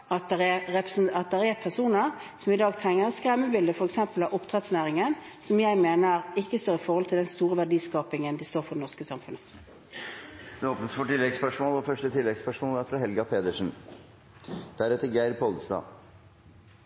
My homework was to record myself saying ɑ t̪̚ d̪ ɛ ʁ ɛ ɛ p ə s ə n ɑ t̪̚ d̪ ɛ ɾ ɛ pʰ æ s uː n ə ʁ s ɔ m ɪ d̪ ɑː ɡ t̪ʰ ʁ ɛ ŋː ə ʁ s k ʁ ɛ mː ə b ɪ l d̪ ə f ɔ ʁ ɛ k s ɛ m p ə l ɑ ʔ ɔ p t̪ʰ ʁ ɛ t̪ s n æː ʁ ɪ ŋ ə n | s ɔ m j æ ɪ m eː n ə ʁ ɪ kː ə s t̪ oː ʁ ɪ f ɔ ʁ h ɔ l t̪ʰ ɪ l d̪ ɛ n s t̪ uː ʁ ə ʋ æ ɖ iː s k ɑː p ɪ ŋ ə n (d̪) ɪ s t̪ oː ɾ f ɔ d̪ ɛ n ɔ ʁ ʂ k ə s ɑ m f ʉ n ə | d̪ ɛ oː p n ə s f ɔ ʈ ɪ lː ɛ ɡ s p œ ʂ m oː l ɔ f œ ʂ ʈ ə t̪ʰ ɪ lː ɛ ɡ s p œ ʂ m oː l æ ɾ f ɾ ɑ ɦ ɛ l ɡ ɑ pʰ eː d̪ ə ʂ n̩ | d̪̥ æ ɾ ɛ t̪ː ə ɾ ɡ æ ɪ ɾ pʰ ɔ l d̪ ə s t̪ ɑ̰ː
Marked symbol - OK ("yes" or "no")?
yes